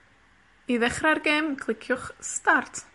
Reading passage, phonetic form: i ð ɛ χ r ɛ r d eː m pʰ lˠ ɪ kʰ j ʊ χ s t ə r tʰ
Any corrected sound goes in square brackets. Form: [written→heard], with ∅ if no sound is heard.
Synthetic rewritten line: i ð ɛ χ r [ɛ→a] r [d→ɡ] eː m [pʰ→kʰ] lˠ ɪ kʰ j ʊ χ s t [ə→a] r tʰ